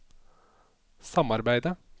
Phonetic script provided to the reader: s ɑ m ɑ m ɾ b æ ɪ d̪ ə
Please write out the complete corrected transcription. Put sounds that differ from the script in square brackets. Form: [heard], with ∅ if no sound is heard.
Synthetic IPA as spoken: s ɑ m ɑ [∅] ɾ b æ ɪ d̪ ə